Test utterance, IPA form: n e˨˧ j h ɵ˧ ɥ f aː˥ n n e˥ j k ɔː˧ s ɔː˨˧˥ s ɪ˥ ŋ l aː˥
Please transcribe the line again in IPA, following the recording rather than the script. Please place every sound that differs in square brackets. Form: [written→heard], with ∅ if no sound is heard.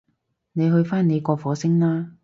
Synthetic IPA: n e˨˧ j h ɵ˧ ɥ f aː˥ n n [e˥→e˨˧] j k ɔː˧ [s→f] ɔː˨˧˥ s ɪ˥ ŋ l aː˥

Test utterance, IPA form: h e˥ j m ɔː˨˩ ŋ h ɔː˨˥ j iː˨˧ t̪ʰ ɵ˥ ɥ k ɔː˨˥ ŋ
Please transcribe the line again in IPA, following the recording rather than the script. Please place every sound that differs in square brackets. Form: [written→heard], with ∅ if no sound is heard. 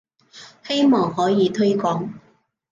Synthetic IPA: h e˥ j m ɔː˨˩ ŋ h ɔː˨˥ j iː˨˧ t̪ʰ ɵ˥ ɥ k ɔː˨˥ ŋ

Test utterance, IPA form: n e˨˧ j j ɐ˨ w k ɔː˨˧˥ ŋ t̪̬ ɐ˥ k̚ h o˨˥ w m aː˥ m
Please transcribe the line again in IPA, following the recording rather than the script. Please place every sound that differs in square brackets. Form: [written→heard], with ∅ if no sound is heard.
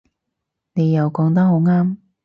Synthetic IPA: n e˨˧ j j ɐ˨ w k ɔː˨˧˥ ŋ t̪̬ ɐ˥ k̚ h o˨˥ w [m→ŋ] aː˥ m

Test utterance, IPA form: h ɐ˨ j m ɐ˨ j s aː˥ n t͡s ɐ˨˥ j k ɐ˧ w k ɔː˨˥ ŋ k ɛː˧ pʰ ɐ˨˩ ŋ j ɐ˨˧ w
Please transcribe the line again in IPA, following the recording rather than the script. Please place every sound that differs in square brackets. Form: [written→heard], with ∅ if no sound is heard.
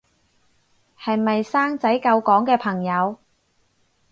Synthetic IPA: h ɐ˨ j m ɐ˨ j s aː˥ [n→ŋ] t͡s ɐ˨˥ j k ɐ˧ w k ɔː˨˥ ŋ k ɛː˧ pʰ ɐ˨˩ ŋ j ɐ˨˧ w

